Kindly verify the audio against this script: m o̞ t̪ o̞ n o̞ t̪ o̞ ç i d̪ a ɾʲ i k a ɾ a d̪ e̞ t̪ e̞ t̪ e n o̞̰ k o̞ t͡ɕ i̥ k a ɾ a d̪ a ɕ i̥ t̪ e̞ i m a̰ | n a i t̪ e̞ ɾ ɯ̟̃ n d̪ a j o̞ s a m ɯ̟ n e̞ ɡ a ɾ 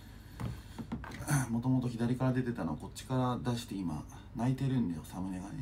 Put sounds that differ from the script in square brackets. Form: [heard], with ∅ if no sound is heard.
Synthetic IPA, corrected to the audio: m o̞ t̪ o̞ [m] o̞ t̪ o̞ ç i d̪ a ɾʲ i k a ɾ a d̪ e̞ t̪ e̞ t̪ [a] n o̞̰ k o̞ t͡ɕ i̥ k a ɾ a d̪ a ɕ i̥ t̪ e̞ i m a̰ | n a i t̪ e̞ ɾ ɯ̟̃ n d̪ a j o̞ s a m ɯ̟ n e̞ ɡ a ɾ